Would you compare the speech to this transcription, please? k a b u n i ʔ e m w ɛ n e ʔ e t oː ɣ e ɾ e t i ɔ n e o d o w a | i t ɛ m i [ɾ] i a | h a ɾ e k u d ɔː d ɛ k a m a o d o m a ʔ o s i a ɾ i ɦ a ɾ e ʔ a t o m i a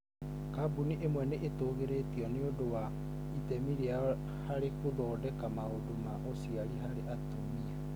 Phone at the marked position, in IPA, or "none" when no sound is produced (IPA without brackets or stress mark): ɾ